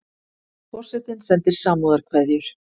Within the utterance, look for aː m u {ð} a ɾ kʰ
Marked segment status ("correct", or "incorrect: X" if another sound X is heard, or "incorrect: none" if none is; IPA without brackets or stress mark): correct